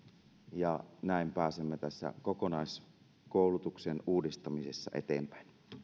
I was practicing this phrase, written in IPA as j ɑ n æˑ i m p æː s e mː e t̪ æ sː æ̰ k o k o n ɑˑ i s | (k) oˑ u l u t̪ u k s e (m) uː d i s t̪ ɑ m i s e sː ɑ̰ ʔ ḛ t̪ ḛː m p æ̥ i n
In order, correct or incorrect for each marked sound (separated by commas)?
correct, incorrect